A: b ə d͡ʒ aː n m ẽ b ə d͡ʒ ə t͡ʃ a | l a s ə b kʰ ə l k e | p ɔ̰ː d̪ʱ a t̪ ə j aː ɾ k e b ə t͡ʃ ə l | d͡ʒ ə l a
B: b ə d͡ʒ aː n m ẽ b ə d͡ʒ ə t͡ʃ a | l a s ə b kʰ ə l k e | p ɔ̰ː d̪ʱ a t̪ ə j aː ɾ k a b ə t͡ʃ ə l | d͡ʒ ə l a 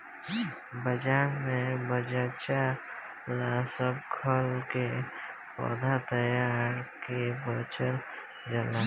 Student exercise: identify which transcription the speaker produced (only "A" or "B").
A